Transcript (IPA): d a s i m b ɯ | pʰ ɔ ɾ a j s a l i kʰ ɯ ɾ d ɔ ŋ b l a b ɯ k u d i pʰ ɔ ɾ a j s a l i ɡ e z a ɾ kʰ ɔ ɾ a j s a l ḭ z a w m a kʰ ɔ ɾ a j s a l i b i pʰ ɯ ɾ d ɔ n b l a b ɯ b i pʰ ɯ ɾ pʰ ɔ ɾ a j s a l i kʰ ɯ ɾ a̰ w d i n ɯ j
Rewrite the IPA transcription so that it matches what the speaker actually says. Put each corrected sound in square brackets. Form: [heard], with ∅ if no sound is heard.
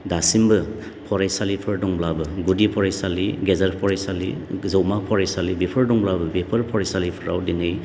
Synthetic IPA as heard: d a s i m b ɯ | pʰ ɔ ɾ a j s a l i [pʰ] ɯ ɾ d ɔ ŋ b l a b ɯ [ɡ] u d i pʰ ɔ ɾ a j s a l i ɡ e z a ɾ [pʰ] ɔ ɾ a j s a l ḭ z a w m a [pʰ] ɔ ɾ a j s a l i b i pʰ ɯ ɾ d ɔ [ŋ] b l a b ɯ b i pʰ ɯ ɾ pʰ ɔ ɾ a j s a l i [pʰ] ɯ ɾ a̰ w d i n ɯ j